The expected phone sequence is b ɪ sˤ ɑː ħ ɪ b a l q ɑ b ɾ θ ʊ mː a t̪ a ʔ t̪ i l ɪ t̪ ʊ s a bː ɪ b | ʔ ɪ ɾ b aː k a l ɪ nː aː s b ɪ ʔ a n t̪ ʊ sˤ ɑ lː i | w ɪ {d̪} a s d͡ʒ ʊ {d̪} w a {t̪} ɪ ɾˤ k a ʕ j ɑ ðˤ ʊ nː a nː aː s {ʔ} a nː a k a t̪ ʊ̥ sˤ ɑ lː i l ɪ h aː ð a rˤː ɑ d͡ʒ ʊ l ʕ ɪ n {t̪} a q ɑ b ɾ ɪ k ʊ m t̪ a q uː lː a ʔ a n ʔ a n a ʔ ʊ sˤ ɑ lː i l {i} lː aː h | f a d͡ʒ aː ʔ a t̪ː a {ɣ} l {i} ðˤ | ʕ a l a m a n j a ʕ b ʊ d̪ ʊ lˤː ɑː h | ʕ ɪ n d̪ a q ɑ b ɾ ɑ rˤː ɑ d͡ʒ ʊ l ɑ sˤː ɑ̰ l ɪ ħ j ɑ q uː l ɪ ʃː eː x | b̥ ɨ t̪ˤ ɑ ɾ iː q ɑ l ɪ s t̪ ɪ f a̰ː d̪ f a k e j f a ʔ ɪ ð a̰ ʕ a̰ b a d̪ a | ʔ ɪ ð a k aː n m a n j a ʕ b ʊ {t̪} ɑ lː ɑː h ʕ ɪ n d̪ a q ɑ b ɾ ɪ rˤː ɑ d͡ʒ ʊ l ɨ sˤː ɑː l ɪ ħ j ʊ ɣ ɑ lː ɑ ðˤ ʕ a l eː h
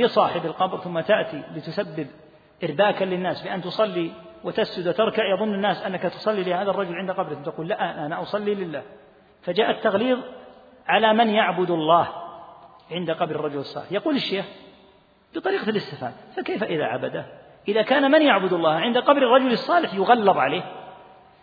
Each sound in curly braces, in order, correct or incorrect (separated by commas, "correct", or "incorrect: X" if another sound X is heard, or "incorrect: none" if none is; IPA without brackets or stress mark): incorrect: t̪, correct, correct, correct, incorrect: d̪, incorrect: ɪ, correct, incorrect: iː, incorrect: d̪